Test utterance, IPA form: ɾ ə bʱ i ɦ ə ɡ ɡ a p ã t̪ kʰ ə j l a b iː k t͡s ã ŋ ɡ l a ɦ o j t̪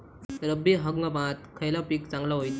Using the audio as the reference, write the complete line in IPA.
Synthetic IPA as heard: ɾ ə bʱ i ɦ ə ɡ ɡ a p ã t̪ kʰ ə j l a p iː k t͡s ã ŋ ɡ l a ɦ o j t̪